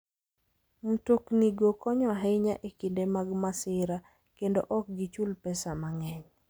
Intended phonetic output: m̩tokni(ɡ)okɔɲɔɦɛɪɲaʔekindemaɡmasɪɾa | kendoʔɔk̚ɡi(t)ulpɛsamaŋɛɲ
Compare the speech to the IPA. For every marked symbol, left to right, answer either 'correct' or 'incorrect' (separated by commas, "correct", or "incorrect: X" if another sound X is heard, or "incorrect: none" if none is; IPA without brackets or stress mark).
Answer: correct, incorrect: t͡ʃ